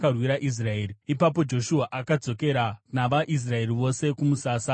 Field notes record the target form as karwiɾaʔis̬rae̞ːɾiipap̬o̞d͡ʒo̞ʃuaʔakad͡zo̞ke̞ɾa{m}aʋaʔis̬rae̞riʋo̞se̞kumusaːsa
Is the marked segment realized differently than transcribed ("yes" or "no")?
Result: yes